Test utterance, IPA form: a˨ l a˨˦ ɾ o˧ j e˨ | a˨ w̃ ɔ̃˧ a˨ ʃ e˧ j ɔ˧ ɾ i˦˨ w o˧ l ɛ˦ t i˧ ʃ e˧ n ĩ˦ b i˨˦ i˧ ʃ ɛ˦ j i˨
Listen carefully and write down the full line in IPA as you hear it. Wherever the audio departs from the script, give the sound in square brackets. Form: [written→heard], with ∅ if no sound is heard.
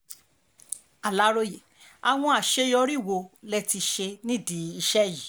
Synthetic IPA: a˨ l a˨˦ ɾ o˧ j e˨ | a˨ w̃ ɔ̃˧ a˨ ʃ e˧ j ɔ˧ ɾ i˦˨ w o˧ l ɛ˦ t i˧ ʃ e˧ n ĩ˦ [b→d] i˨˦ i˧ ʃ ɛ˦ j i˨